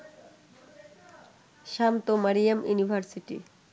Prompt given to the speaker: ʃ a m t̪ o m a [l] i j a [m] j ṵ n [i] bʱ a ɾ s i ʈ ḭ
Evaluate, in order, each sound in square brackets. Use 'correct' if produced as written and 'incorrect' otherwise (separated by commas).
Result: incorrect, correct, correct